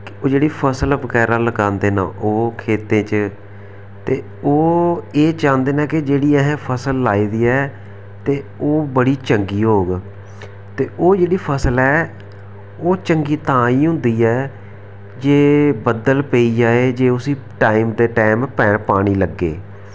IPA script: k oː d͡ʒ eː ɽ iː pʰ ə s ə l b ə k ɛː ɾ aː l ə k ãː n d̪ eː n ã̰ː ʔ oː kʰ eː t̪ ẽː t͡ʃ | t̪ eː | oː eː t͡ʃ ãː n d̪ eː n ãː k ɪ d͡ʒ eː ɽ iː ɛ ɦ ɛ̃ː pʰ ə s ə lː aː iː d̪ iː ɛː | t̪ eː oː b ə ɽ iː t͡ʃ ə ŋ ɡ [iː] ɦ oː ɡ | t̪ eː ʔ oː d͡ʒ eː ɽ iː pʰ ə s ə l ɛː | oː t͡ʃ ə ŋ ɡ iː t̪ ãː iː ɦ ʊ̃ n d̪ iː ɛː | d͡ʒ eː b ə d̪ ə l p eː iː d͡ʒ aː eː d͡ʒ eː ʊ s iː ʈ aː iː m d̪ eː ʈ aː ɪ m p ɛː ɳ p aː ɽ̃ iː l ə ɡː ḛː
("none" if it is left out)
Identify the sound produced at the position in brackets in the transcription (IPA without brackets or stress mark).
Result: iː